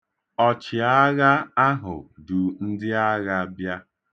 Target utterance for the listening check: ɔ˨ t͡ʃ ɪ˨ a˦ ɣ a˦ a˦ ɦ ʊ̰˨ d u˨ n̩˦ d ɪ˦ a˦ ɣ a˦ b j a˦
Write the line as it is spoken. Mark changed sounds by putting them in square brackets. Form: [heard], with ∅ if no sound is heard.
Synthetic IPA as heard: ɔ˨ t͡ʃ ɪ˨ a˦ ɣ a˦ a˦ ɦ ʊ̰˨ d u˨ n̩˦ d ɪ˦ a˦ ɣ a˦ b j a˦